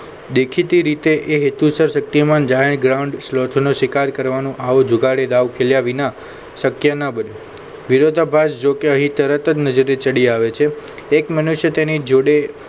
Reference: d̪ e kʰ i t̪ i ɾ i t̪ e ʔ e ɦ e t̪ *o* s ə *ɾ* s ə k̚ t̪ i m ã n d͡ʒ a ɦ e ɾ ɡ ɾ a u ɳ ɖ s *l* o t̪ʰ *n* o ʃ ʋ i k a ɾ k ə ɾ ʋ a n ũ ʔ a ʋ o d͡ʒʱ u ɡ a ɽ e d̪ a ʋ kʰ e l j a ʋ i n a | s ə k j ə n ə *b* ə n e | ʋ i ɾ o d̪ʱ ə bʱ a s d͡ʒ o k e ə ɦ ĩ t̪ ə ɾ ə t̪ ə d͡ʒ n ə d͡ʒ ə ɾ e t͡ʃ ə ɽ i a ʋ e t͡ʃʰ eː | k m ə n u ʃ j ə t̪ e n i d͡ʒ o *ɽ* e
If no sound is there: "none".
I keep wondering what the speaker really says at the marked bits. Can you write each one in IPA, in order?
u, ɾ, l, n, b, ɽ

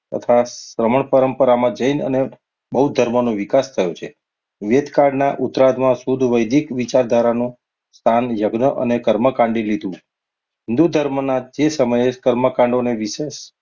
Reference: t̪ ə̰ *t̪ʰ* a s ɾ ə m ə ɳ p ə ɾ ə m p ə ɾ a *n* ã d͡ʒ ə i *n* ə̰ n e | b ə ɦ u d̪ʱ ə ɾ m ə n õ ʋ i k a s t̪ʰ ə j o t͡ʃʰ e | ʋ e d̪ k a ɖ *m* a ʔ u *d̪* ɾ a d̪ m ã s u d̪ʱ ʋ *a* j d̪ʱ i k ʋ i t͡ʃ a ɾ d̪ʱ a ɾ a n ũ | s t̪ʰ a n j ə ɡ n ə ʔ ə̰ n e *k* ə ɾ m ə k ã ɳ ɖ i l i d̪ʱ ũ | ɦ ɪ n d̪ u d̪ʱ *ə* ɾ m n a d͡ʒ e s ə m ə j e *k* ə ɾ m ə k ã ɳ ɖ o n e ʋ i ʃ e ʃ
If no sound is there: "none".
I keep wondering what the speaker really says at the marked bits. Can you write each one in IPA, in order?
t̪ʰ, m, n, n, t̪, ə, k, ə, k

